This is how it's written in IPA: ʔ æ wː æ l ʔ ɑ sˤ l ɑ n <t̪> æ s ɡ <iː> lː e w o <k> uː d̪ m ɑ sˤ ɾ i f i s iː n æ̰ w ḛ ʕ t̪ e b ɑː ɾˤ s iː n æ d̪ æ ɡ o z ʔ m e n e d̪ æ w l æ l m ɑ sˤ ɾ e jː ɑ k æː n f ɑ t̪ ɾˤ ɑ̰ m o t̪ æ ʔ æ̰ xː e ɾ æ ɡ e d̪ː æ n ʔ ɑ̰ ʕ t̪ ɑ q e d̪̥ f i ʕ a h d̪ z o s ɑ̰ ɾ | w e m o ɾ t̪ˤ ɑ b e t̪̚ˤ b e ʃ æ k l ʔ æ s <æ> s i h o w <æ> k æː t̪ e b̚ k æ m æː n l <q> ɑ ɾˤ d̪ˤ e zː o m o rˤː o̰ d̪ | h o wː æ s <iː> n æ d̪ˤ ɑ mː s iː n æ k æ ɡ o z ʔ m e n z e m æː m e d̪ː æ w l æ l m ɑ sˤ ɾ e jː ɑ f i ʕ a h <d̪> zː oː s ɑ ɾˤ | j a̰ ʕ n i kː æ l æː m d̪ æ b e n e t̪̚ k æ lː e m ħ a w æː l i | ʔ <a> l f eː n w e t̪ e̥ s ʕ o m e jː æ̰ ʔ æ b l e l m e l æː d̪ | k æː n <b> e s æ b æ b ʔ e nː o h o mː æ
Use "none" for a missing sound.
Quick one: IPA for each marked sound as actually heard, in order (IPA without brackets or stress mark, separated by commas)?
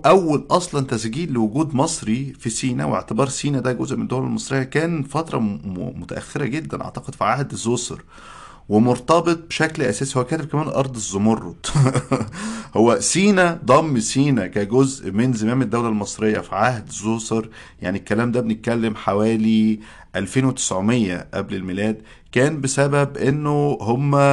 t̪, iː, ɡ, æː, æ, ʔ, iː, d̪, æ, b